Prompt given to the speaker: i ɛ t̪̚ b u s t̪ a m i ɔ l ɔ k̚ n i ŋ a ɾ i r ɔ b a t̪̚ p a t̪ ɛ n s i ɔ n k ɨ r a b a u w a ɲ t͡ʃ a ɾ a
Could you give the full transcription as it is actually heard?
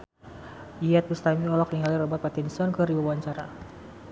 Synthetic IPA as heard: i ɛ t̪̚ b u s t̪ a m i ɔ l ɔ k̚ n i ŋ a l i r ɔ b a t̪̚ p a t̪ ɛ n s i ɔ n k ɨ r i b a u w a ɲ t͡ʃ a ɾ a